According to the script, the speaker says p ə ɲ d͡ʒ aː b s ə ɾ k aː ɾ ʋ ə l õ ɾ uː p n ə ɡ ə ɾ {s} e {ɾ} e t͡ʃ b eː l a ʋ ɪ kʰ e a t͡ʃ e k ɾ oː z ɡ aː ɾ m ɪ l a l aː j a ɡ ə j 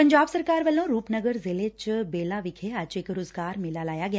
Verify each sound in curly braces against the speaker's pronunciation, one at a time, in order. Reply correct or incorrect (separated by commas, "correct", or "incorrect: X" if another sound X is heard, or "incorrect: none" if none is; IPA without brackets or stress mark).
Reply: incorrect: z, incorrect: l